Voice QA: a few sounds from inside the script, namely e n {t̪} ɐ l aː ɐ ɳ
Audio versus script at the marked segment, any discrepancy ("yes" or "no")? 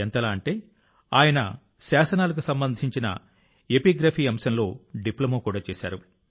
no